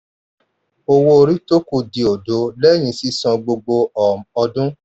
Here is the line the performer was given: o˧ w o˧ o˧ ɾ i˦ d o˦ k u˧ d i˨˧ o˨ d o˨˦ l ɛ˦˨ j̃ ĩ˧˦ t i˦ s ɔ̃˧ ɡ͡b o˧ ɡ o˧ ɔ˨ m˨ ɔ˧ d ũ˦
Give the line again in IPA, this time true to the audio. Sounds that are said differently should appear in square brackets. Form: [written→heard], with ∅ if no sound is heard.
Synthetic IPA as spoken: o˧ w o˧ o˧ ɾ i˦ [d→t] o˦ k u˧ d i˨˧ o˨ d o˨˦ l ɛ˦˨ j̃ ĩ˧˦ [t→s] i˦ s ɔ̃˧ ɡ͡b o˧ [ɡ→ɡ͡b] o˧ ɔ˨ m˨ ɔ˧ d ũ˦